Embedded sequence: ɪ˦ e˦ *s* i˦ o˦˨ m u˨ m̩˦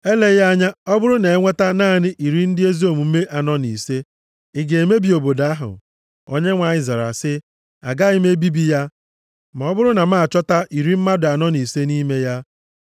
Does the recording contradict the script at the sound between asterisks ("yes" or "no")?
yes